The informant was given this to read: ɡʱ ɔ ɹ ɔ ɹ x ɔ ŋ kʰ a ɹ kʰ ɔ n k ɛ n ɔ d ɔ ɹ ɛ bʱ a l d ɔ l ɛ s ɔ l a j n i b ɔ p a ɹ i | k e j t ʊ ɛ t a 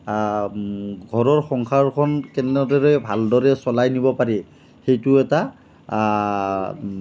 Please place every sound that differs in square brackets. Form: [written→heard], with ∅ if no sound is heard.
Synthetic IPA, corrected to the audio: ɡʱ ɔ ɹ ɔ ɹ x ɔ ŋ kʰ a ɹ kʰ ɔ n k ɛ n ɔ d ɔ ɹ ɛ bʱ a l d ɔ [l→ɹ] ɛ s ɔ l a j n i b ɔ p a ɹ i | [k→x] e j t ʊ ɛ t a

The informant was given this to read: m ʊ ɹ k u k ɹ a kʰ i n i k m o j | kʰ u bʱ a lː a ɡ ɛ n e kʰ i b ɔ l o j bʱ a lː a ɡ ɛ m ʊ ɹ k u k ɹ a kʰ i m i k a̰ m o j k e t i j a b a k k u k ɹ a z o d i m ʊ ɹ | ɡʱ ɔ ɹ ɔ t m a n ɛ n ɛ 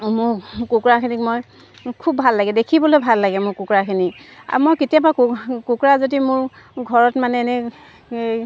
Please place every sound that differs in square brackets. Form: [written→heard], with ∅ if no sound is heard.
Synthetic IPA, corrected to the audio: m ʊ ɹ k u k ɹ a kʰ i n i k m o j | kʰ u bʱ a lː a ɡ ɛ [n→d] e kʰ i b ɔ l o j bʱ a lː a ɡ ɛ m ʊ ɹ k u k ɹ a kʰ i [m→n] i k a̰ m o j k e t i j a b a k k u k ɹ a z o d i m ʊ ɹ | ɡʱ ɔ ɹ ɔ t m a n ɛ n ɛ

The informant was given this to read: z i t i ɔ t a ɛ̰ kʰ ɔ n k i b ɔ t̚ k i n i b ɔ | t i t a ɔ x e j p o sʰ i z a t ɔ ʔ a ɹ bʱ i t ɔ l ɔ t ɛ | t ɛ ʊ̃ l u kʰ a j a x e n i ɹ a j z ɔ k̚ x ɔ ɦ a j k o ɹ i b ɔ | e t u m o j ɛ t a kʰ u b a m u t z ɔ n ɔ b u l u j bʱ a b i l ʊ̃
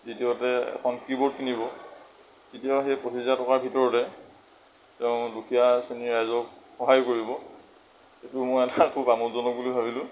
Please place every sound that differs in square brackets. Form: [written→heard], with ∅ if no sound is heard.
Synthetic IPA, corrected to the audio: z i t i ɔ t [a→ɛ] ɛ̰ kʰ ɔ n k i b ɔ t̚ k i n i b ɔ | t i t [a→i] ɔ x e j p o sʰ i z a t ɔ [ʔ→k] a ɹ bʱ i t ɔ [l→ɹ] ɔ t ɛ | t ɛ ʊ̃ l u kʰ [a→i] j a [x→s] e n i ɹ a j z ɔ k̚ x ɔ ɦ a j k o ɹ i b ɔ | e t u m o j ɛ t a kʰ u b a m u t z ɔ n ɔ b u l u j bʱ a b i l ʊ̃

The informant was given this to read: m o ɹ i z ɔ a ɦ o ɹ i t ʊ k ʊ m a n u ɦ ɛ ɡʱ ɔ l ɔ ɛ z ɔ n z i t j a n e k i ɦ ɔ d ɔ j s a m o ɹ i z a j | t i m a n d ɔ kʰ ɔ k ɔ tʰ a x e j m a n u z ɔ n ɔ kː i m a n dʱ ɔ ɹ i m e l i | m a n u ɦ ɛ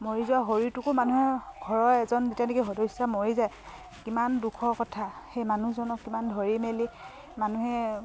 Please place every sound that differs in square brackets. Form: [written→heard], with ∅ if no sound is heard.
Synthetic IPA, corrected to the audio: m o ɹ i z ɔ a ɦ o ɹ i t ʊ k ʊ m a n u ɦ ɛ ɡʱ ɔ [l→ɹ] ɔ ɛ z ɔ n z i t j a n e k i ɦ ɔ d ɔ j s a m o ɹ i z a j | [t→k] i m a n d [ɔ→u] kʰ ɔ k ɔ tʰ a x e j m a n u z ɔ n ɔ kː i m a n dʱ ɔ ɹ i m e l i | m a n u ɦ ɛ

